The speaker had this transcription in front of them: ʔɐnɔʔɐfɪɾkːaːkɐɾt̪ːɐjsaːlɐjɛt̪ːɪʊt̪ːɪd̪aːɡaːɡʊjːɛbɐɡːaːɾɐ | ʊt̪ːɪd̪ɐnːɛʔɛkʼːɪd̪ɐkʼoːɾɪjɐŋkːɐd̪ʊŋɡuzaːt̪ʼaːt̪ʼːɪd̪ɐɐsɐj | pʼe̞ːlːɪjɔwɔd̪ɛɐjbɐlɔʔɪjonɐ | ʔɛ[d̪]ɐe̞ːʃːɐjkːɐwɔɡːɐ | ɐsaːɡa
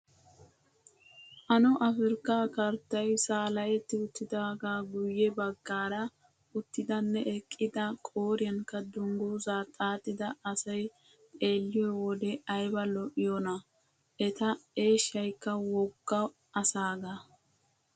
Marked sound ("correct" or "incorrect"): incorrect